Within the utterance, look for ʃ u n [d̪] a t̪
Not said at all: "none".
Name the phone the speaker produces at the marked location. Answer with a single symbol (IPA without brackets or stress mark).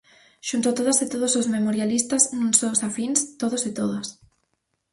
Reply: t̪